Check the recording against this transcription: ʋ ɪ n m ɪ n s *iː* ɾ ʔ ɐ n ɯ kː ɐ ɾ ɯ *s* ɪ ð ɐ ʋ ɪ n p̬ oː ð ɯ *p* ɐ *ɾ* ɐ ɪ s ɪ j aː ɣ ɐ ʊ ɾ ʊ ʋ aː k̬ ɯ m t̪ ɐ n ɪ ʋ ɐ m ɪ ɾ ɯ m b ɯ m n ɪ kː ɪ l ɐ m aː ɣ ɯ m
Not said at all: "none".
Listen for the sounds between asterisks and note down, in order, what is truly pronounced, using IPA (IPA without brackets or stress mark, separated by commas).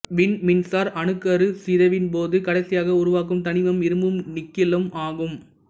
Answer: aː, s, k, ɽ